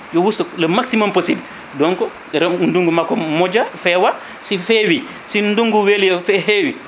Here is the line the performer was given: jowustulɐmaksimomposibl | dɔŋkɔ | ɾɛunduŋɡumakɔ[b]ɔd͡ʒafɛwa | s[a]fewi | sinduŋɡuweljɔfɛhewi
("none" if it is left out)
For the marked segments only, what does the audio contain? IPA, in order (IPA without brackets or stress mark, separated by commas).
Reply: m, i